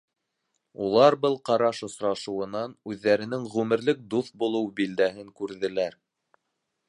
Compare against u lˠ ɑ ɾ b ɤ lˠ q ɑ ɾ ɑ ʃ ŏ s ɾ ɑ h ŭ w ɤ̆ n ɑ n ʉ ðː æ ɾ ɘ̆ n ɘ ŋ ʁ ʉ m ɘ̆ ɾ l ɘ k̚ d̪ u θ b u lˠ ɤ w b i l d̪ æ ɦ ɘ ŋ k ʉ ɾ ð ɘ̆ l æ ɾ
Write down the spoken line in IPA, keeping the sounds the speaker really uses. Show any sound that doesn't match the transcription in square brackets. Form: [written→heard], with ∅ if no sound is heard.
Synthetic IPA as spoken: u lˠ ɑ ɾ b ɤ lˠ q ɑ ɾ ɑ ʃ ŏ s ɾ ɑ [h→ʃ] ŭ w ɤ̆ n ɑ n ʉ ðː æ ɾ ɘ̆ n ɘ ŋ ʁ ʉ m ɘ̆ ɾ l ɘ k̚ d̪ u θ b u lˠ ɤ w b i l d̪ æ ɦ ɘ ŋ k ʉ ɾ ð ɘ̆ l æ ɾ

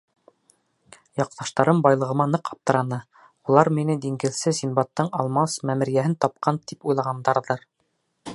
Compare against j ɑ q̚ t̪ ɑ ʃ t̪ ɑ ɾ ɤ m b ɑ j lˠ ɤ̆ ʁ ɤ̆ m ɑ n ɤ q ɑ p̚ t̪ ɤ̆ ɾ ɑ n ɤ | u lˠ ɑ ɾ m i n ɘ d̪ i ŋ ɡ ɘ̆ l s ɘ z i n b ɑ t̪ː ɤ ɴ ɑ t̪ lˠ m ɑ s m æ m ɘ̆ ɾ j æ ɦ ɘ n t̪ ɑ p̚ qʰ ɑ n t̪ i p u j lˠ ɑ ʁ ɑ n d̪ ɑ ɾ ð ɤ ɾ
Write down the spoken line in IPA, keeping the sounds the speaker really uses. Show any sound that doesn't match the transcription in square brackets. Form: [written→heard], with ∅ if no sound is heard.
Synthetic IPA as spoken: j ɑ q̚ t̪ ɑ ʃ t̪ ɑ ɾ ɤ m b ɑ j lˠ ɤ̆ ʁ ɤ̆ m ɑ n ɤ q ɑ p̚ t̪ ɤ̆ ɾ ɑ n ɤ | u lˠ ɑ ɾ m i n ɘ d̪ i ŋ ɡ ɘ̆ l s ɘ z i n b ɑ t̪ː ɤ ɴ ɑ [t̪→∅] lˠ m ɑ s m æ m ɘ̆ ɾ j æ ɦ ɘ n t̪ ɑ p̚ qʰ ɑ n t̪ i p u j lˠ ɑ ʁ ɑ n d̪ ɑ ɾ ð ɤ ɾ

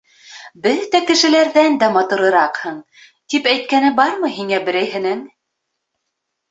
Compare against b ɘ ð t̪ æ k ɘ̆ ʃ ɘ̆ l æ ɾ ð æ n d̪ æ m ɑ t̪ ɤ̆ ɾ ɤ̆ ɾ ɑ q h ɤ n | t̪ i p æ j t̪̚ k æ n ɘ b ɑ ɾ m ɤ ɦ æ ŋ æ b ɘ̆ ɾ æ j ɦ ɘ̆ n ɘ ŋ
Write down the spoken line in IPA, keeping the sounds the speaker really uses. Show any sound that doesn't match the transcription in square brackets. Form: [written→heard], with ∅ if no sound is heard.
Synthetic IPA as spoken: b ɘ ð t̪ æ k ɘ̆ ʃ ɘ̆ l æ ɾ ð æ n d̪ æ m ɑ t̪ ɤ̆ ɾ ɤ̆ ɾ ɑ q h ɤ [n→ɴ] | t̪ i p æ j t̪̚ k æ n ɘ b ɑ ɾ m ɤ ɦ [æ→i] ŋ æ b ɘ̆ ɾ æ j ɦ ɘ̆ n ɘ ŋ

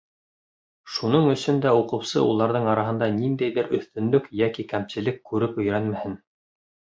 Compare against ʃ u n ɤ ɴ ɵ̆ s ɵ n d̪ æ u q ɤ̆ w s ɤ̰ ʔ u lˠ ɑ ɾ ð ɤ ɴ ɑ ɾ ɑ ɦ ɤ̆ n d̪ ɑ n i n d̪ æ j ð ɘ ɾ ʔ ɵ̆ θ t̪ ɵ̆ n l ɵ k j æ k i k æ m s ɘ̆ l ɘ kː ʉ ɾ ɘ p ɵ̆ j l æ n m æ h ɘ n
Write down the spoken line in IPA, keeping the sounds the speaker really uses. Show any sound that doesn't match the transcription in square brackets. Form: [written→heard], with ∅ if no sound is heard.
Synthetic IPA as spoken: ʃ u n ɤ ɴ ɵ̆ s ɵ n d̪ æ u q ɤ̆ w s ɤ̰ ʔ u lˠ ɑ ɾ ð ɤ ɴ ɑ ɾ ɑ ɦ ɤ̆ n d̪ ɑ n i n d̪ æ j ð ɘ ɾ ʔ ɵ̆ θ t̪ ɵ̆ n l ɵ k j æ k i k æ m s ɘ̆ l ɘ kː ʉ ɾ ɘ p ɵ̆ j [l→ɾ] æ n m æ h ɘ n

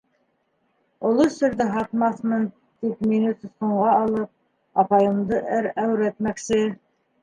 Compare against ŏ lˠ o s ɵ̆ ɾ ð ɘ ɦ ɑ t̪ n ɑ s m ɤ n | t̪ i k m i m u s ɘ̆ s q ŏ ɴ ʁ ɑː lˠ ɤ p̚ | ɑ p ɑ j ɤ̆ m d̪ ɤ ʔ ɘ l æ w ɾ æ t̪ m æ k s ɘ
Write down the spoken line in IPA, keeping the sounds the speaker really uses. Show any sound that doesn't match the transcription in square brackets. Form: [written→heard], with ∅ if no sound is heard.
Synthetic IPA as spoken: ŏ lˠ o s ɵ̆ ɾ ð ɘ ɦ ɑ t̪ [n→m] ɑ [s→θ] m ɤ n | t̪ i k m i [m→n] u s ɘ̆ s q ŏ ɴ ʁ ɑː lˠ ɤ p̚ | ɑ p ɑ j ɤ̆ m d̪ ɤ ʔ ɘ [l→ɾ] æ w ɾ æ t̪ m æ k s ɘ

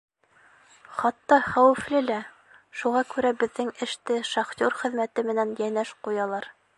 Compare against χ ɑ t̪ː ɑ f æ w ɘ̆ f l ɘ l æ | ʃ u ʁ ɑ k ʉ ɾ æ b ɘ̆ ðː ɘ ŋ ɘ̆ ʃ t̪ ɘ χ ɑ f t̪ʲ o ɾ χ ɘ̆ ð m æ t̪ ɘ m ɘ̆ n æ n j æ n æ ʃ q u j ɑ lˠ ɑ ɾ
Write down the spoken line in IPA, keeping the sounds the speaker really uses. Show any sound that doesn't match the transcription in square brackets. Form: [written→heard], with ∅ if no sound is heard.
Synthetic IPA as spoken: χ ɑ t̪ː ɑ [f→χ] æ w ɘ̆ f l ɘ l æ | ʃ u ʁ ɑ k ʉ ɾ æ b ɘ̆ ðː ɘ ŋ ɘ̆ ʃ t̪ ɘ [χ→ʃ] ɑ [f→χ] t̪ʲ o ɾ χ ɘ̆ ð m æ t̪ ɘ m ɘ̆ n æ n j æ n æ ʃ q u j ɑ lˠ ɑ ɾ

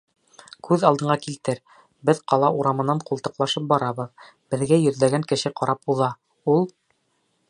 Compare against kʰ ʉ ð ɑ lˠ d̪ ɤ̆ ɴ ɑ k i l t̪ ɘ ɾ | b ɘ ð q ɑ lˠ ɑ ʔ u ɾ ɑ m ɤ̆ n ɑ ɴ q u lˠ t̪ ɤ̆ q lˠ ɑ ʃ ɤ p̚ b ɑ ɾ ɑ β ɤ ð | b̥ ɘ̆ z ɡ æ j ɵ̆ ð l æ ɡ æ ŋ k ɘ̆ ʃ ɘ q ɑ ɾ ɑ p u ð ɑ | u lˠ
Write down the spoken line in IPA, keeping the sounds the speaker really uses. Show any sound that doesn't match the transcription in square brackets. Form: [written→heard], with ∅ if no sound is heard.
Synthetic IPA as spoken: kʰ ʉ ð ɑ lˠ d̪ ɤ̆ ɴ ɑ k i l t̪ ɘ ɾ | b ɘ ð q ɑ lˠ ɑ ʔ u ɾ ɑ m ɤ̆ n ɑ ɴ q u lˠ t̪ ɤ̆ q lˠ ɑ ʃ ɤ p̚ b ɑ ɾ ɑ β ɤ ð | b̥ ɘ̆ [z→ð] ɡ æ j ɵ̆ ð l æ ɡ æ ŋ k ɘ̆ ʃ ɘ q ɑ ɾ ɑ p u ð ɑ | u lˠ

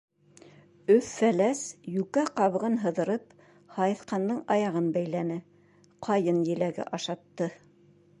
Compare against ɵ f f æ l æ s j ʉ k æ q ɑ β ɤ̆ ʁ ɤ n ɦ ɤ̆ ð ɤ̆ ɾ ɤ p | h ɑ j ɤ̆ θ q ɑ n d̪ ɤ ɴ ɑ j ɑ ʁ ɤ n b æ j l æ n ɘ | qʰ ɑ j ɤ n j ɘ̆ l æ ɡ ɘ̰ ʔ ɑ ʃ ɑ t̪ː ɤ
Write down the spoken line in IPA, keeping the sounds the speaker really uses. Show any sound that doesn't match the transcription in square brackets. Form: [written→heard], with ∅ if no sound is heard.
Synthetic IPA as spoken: ɵ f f æ l æ s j ʉ k æ q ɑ β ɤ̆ ʁ ɤ n ɦ ɤ̆ ð ɤ̆ ɾ ɤ p | h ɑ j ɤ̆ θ q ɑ n d̪ ɤ ɴ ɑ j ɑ ʁ ɤ n b æ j l æ n ɘ | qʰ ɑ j ɤ n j ɘ̆ l æ ɡ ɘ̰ ʔ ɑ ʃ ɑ t̪ː ɤ

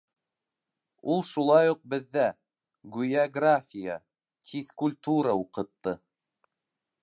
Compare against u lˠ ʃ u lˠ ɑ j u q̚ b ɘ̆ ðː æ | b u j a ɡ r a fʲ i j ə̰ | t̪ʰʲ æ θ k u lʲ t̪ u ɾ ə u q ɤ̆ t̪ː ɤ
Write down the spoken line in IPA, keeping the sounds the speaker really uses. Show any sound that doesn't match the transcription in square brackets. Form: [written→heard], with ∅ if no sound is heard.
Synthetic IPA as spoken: u lˠ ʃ u lˠ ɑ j u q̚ b ɘ̆ ðː æ | [b→ɡ] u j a ɡ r a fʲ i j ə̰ | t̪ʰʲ [æ→i] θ k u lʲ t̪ u ɾ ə u q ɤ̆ t̪ː ɤ

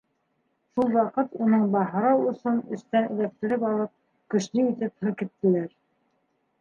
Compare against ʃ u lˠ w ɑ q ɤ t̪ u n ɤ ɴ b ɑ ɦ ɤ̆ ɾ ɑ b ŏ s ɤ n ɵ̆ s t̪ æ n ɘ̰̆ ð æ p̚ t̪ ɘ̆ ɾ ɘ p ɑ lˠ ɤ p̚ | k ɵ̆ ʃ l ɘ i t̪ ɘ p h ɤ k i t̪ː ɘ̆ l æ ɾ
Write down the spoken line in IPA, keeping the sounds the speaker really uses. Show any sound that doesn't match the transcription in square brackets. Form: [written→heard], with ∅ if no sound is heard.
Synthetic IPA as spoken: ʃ u lˠ w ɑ q ɤ t̪ u n ɤ ɴ b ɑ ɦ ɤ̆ ɾ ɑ [b→w] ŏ s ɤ n ɵ̆ s t̪ æ n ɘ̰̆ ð æ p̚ t̪ ɘ̆ ɾ ɘ p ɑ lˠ ɤ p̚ | k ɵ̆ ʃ l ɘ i t̪ ɘ p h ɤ k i t̪ː ɘ̆ l æ ɾ

